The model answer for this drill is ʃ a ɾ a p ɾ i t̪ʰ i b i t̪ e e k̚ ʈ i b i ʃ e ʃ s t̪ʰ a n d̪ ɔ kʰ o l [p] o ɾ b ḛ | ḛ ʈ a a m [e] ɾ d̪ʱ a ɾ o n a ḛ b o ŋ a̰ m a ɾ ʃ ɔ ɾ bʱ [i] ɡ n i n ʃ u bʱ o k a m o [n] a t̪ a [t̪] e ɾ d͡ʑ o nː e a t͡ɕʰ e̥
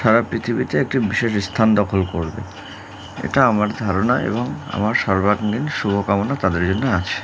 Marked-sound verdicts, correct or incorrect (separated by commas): incorrect, incorrect, incorrect, correct, incorrect